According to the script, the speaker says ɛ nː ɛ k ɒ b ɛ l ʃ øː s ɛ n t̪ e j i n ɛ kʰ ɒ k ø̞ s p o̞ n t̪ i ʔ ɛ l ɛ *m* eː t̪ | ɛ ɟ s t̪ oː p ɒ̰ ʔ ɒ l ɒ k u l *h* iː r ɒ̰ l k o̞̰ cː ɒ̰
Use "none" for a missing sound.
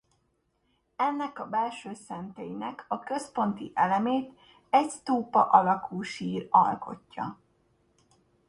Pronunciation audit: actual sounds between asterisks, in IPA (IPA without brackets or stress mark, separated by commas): m, ʃ